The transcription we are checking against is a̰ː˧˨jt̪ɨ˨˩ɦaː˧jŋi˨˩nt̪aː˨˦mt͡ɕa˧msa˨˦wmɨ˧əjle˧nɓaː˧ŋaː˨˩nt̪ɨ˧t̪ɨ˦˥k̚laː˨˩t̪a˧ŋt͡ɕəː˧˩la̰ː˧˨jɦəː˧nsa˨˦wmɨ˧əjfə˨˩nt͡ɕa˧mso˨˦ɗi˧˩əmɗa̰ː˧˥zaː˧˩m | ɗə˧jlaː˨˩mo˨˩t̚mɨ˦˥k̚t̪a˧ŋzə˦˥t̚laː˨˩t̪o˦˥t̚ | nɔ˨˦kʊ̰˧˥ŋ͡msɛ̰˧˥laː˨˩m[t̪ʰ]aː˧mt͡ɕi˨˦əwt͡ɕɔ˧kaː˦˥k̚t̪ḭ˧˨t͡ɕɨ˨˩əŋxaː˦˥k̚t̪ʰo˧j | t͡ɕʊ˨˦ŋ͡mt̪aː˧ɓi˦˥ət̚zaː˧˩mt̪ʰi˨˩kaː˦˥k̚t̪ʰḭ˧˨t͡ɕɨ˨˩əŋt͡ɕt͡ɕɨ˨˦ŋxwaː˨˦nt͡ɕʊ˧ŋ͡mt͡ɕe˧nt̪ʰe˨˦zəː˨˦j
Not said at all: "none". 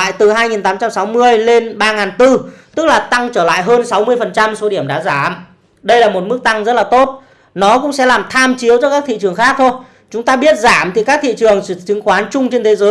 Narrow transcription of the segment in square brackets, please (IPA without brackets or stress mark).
t̪ʰ